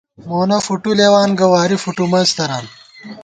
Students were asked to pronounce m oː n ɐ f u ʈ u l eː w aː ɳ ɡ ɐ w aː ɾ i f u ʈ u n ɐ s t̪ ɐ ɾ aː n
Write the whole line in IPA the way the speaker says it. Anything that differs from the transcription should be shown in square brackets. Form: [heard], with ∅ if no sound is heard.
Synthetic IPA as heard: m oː n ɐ f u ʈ u l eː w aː [n] ɡ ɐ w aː ɾ i f u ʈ u [m] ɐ s t̪ ɐ ɾ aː n